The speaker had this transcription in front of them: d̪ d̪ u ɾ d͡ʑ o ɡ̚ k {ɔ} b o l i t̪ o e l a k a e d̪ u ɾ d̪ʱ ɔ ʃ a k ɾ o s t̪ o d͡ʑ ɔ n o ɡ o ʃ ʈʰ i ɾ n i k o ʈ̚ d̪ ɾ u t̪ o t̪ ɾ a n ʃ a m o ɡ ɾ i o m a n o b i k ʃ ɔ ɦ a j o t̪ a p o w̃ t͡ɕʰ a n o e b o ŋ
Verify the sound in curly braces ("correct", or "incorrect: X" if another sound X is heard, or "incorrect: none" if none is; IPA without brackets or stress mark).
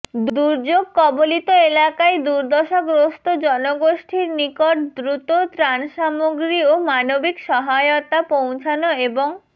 correct